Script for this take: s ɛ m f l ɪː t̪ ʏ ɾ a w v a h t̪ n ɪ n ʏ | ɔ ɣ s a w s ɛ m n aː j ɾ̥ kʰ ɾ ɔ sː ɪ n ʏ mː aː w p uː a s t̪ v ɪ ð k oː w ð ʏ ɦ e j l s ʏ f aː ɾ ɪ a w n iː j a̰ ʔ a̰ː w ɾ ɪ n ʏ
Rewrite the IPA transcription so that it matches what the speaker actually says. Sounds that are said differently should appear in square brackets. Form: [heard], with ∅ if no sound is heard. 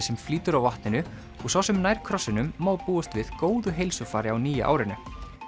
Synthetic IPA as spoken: s ɛ m f l [iː] t̪ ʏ ɾ a w v a h t̪ n ɪ n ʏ | ɔ ɣ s a w s ɛ m n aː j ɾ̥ kʰ ɾ ɔ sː ɪ n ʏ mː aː w p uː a s t̪ v ɪ ð k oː w ð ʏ ɦ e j l s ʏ f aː ɾ ɪ a w n iː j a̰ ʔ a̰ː w ɾ ɪ n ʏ